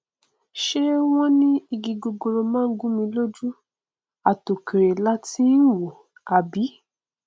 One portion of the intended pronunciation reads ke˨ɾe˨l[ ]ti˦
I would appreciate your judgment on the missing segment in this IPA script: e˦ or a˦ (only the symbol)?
a˦